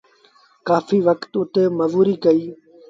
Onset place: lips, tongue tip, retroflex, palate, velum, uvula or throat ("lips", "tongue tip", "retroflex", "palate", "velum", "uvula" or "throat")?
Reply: velum